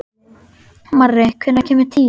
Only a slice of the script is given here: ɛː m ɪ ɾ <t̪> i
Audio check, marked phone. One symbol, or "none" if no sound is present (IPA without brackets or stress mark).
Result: t̪ʰ